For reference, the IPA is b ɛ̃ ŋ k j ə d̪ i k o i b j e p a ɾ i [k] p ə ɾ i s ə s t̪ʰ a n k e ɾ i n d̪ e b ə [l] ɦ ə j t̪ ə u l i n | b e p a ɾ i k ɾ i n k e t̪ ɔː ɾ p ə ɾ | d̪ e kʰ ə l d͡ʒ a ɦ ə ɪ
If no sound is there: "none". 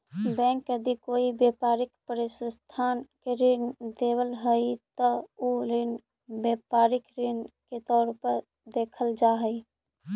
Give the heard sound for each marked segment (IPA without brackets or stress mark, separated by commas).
k, l